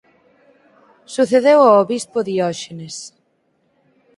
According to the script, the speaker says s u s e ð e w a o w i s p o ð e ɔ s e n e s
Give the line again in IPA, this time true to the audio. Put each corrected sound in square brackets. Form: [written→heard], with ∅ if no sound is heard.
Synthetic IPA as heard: s u [s→θ] e ð e w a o [w→β] i s p o ð [e→i] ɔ [s→ʃ] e n e s